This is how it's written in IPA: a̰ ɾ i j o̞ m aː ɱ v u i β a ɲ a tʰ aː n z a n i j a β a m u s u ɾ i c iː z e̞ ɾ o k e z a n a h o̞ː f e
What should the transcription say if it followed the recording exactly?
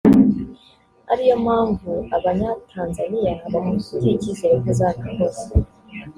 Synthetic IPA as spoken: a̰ ɾ i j o̞ m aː ɱ v u a β a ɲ a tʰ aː n z a n i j a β a m u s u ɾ i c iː z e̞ ɾ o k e z a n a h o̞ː s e

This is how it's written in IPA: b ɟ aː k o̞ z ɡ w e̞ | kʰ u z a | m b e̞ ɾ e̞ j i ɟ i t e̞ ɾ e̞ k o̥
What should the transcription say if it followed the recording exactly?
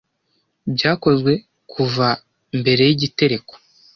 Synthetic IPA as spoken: b ɟ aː k o̞ z ɡ w e̞ | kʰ u v a | m b e̞ ɾ e̞ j i ɟ i t e̞ ɾ e̞ k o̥

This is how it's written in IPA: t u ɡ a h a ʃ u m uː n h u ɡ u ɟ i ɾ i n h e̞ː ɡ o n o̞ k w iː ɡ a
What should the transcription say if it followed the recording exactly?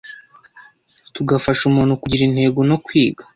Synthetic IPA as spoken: t u ɡ a f a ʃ u m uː n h u k u ɟ i ɾ i n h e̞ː ɡ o n o̞ k w iː ɡ a

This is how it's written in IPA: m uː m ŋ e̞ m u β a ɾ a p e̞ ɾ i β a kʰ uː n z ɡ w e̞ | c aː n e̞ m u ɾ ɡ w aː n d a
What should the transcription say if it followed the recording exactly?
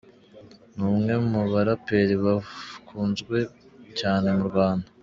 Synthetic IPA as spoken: n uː m ŋ e̞ m u β a ɾ a p e̞ ɾ i β a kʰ uː n z ɡ w e̞ | c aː n e̞ m u ɾ ɡ w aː n d a

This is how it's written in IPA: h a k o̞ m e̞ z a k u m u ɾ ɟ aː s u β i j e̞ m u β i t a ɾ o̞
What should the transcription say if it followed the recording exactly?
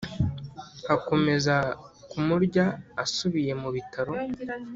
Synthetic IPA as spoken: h a k o̞ m e̞ z a k u m u ɾ ɟ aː s u β i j e̞ m u β i t a ɾ o̞

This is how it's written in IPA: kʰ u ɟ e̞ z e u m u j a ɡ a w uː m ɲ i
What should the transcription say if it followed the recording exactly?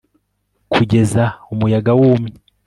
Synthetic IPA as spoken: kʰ u ɟ e̞ z a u m u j a ɡ a w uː m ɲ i

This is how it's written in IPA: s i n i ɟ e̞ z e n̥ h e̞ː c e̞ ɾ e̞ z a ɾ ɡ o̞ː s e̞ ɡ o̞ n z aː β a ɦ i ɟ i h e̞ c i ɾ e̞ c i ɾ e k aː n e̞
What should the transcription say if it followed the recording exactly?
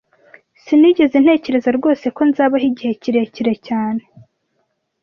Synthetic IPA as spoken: s i n i ɟ e̞ z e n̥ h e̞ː c e̞ ɾ e̞ z a ɾ ɡ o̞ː s e̞ k o̞ n z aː β a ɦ i ɟ i h e̞ c i ɾ e̞ c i ɾ e c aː n e̞

